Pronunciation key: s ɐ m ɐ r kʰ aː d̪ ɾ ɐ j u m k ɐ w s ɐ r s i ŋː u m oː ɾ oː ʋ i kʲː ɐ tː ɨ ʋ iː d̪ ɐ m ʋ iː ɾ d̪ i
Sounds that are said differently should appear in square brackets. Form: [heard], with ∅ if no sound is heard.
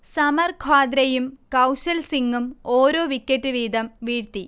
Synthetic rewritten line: s ɐ m ɐ r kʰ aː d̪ ɾ ɐ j u m k ɐ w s ɐ [l] s i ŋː u m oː ɾ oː ʋ i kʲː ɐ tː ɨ ʋ iː d̪ ɐ m ʋ iː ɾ [t̪] i